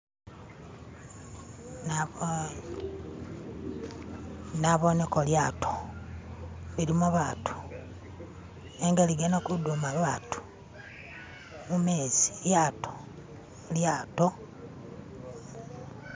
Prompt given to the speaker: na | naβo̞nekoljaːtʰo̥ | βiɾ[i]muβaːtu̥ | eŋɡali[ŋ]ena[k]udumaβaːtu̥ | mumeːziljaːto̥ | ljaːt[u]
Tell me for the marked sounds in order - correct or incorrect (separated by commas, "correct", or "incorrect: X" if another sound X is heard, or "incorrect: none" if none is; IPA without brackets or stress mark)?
correct, incorrect: ɡ, correct, incorrect: o